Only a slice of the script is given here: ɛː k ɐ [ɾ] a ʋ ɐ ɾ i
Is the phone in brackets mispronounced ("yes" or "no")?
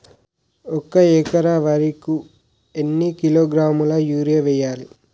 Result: no